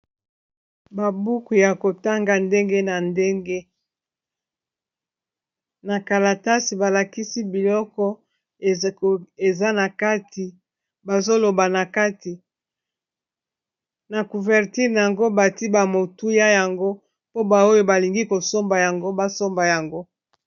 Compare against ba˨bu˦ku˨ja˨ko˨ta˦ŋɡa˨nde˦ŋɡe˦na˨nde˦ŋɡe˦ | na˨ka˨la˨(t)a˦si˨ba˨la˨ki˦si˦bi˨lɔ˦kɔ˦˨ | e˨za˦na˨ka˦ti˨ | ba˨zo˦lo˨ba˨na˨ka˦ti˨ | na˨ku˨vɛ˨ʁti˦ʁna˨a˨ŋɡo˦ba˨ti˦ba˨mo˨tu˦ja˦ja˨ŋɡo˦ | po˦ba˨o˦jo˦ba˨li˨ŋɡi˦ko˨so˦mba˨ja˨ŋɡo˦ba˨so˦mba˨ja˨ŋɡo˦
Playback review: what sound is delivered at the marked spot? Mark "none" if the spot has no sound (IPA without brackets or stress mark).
t